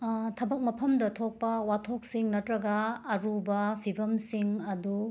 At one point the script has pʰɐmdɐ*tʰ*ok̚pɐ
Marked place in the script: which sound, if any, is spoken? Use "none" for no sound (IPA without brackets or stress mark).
tʰ